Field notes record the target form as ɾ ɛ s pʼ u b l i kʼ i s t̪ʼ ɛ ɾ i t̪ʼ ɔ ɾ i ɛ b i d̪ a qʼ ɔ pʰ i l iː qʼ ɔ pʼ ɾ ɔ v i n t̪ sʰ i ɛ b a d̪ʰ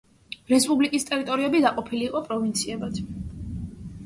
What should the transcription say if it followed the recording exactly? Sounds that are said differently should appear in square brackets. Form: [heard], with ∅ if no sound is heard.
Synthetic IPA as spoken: ɾ ɛ s pʼ u b l i kʼ i s t̪ʼ ɛ ɾ i t̪ʼ ɔ ɾ i ɛ b i d̪ a qʼ ɔ pʰ i l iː qʼ ɔ pʼ ɾ ɔ v i n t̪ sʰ i ɛ b a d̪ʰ